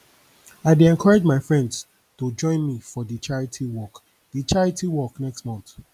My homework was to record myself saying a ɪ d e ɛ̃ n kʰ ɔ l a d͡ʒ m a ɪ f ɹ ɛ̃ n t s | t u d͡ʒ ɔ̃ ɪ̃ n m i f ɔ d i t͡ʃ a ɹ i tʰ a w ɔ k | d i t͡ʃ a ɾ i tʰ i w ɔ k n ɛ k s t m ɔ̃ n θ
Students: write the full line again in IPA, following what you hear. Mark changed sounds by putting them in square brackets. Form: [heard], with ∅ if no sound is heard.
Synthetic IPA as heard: a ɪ d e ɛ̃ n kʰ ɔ [ɹ] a d͡ʒ m a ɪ f ɹ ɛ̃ n [d] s | t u d͡ʒ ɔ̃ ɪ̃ n m i f ɔ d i t͡ʃ a ɹ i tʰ [i] w ɔ k | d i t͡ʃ a [ɹ] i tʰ i w ɔ k n ɛ k s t m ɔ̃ n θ